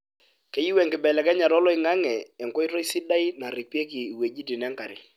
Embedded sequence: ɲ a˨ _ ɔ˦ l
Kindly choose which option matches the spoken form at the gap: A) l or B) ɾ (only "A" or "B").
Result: B